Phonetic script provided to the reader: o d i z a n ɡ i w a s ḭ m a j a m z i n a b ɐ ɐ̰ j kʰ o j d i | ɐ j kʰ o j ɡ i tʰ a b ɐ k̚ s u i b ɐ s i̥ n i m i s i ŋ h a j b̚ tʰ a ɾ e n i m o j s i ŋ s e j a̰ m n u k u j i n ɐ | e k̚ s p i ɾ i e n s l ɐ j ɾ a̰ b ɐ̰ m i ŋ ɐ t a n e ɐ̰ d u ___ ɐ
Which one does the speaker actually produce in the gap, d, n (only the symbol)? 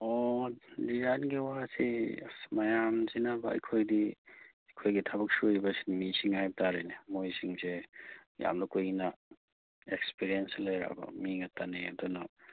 n